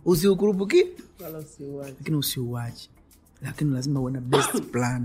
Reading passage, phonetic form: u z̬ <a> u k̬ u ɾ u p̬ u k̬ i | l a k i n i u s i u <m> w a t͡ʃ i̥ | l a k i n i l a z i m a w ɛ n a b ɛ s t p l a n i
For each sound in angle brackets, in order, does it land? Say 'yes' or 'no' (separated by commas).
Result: no, no